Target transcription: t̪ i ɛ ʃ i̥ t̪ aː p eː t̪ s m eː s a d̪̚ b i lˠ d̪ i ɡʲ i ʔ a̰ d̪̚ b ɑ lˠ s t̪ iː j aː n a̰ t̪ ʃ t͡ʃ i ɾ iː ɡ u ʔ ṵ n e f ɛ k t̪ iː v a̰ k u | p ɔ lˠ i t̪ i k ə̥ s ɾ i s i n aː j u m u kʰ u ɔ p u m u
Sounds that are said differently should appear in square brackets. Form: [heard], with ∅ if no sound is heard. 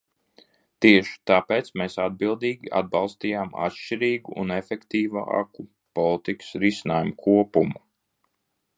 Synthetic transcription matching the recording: t̪ i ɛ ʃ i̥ t̪ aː p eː t̪ s m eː s a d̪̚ b i lˠ d̪ [iː] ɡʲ i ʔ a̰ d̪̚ b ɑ lˠ s t̪ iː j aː [m] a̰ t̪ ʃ t͡ʃ i ɾ iː ɡ u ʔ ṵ n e f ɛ k t̪ iː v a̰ k u | p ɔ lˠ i t̪ i k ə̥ s ɾ i s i n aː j u m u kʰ u ɔ p u m u